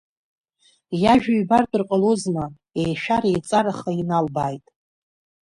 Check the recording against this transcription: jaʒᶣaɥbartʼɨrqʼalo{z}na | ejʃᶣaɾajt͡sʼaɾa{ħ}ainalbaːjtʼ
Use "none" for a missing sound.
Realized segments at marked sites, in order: z, χ

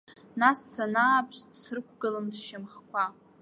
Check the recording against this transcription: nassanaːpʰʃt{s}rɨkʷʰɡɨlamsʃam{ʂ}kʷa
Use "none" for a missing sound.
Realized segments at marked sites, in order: s, χ

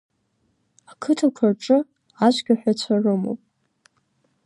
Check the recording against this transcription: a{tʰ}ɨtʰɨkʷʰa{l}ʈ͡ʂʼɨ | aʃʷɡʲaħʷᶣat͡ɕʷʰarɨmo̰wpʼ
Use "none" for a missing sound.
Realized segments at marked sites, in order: kʰ, r

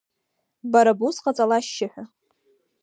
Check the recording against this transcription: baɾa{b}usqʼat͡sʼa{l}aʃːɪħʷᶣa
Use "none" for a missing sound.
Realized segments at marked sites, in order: b, l

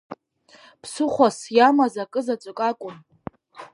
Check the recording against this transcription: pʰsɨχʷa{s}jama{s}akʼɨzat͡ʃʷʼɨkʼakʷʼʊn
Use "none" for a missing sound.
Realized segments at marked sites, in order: s, z

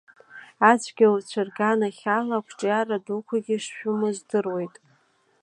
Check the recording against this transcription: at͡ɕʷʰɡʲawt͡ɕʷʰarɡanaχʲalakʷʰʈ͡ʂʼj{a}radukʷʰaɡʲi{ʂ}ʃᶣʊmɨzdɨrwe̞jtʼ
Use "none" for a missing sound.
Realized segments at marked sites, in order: a, ʂ

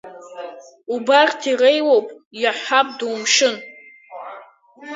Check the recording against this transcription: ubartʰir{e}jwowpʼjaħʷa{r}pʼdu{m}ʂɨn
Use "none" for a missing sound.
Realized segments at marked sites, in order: e, none, m

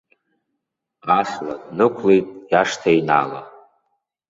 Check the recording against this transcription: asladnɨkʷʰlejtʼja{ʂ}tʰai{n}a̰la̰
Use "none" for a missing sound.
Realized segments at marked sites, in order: ʂ, n

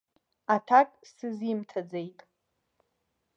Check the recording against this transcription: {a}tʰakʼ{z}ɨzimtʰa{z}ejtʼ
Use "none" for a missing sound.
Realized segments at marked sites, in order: a, s, d͡z

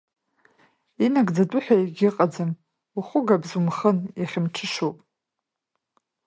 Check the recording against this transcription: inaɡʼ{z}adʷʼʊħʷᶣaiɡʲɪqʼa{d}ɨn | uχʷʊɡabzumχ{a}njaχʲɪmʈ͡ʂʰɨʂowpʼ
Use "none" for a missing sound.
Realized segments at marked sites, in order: d͡z, d͡z, ə

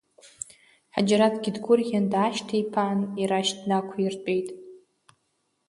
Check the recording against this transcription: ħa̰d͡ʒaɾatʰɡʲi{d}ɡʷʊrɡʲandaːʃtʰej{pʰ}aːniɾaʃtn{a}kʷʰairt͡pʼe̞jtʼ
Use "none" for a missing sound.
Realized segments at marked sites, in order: d, pʰ, a

